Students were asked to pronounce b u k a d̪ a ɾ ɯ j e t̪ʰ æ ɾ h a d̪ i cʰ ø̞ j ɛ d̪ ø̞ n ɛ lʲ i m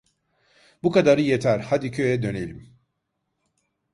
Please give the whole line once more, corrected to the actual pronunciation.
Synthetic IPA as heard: b u k a d̪ a ɾ ɯ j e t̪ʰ æ ɾ h a d̪ i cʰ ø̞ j ɛ d̪ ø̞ n e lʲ i m